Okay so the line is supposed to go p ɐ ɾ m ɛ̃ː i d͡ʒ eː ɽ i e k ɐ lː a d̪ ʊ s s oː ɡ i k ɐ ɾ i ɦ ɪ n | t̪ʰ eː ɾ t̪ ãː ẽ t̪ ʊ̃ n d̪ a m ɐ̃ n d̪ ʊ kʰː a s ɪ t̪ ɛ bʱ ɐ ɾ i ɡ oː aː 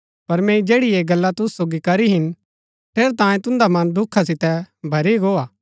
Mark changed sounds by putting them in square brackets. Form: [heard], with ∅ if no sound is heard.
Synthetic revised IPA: p ɐ ɾ m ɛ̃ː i d͡ʒ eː ɽ i e [ɡ] ɐ lː a [t̪] ʊ s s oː ɡ i k ɐ ɾ i ɦ ɪ n | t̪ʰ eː ɾ t̪ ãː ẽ t̪ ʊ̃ n d̪ a m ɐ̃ n d̪ ʊ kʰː a s ɪ t̪ ɛ bʱ ɐ ɾ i ɡ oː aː